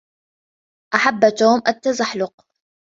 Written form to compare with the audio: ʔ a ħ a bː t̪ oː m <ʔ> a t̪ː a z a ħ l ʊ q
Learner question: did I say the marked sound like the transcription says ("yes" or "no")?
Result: yes